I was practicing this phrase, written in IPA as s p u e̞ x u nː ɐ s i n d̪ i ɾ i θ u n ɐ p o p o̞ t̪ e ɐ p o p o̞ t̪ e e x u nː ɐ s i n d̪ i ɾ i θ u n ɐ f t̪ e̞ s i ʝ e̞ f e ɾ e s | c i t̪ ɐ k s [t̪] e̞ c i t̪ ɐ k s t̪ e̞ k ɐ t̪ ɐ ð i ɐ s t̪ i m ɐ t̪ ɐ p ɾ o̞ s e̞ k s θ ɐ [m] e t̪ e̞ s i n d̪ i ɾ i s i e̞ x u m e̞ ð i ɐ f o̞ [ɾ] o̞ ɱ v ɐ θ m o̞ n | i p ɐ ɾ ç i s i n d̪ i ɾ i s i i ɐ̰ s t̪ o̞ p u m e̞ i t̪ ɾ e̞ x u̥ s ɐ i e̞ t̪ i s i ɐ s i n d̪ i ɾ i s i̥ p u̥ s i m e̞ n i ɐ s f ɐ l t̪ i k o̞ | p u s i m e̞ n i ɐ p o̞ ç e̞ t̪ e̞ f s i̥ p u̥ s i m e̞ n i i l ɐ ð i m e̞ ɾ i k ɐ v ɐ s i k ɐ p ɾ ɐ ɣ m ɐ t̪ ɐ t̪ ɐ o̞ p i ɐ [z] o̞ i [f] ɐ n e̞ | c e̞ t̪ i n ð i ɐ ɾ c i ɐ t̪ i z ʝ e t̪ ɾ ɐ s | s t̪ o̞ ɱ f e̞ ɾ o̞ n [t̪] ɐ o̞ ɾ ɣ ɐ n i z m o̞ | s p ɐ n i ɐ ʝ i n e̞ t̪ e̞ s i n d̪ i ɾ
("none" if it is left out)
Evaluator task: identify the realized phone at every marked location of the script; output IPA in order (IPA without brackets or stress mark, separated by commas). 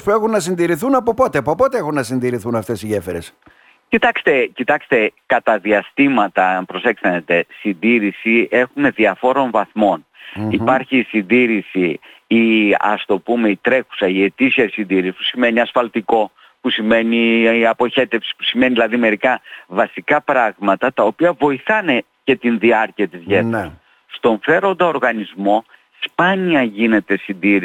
t̪, n, ɾ, v, θ, d̪